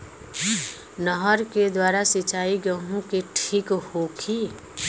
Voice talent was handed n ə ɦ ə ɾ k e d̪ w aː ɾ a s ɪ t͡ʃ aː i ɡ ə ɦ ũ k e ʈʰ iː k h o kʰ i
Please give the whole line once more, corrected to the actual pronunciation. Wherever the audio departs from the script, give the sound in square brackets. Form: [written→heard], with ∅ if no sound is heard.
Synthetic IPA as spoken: n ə ɦ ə ɾ k e d̪ w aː ɾ a s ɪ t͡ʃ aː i ɡ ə ɦ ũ k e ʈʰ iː k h o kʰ i